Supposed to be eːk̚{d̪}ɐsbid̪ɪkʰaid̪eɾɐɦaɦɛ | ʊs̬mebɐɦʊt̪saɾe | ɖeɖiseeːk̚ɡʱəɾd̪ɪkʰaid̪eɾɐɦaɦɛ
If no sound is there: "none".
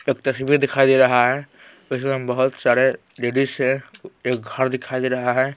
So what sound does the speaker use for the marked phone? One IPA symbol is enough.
t̪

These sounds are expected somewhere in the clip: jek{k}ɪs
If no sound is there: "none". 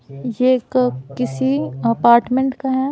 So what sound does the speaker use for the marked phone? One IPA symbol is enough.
k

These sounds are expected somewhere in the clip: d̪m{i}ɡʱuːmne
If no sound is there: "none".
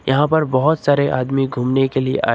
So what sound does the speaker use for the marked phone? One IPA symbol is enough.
i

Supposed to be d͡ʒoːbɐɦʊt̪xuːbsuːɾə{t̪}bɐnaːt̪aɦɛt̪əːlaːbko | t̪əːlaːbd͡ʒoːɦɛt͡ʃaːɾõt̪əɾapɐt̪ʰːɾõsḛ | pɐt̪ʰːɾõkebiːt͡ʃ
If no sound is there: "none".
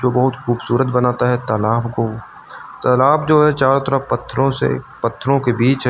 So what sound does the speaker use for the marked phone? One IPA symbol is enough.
t̪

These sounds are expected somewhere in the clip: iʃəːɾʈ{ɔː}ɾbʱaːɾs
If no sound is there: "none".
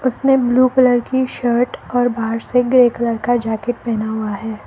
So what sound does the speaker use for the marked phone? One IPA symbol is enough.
ɔː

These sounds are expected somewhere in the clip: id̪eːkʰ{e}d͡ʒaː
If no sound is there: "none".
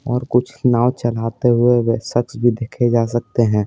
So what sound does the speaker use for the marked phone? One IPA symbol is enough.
e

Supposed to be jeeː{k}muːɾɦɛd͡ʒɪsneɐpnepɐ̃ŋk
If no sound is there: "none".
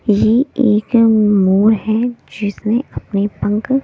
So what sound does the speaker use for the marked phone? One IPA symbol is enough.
k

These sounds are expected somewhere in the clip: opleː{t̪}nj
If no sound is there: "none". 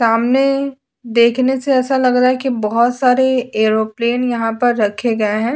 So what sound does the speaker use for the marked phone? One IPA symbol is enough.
none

